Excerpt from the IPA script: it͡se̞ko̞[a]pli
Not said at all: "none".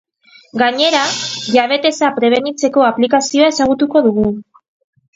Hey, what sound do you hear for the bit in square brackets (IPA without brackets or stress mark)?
a